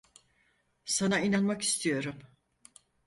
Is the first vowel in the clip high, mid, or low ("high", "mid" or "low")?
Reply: low